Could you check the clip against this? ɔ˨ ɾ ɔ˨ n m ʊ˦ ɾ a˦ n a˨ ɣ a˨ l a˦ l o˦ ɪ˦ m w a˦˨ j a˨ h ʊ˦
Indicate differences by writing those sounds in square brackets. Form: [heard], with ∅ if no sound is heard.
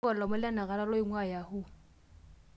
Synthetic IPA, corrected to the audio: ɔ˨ [l] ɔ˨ [∅] m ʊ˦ [l] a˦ n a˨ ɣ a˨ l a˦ l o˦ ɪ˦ [ŋ] w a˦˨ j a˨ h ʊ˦